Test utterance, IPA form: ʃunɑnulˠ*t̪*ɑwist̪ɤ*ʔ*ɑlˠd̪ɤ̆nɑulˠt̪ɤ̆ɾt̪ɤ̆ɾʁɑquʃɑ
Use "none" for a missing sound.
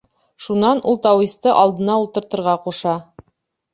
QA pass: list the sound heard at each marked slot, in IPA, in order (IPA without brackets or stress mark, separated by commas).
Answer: t̪, ʔ